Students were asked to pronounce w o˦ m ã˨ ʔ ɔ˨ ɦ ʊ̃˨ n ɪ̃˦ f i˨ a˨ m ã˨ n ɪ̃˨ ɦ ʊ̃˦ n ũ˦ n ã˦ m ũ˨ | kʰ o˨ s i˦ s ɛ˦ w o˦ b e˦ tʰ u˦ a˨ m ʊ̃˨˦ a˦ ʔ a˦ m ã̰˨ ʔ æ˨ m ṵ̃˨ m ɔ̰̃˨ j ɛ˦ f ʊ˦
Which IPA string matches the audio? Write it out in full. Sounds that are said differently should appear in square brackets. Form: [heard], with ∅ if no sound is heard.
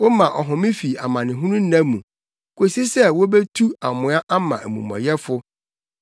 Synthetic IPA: w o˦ m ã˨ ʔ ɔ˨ ɦ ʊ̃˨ [m] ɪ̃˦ f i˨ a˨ m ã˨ n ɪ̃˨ ɦ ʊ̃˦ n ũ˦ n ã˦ m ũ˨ | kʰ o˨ s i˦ s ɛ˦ w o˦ b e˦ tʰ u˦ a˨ m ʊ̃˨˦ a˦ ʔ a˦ m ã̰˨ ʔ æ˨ m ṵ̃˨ m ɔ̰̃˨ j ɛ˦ f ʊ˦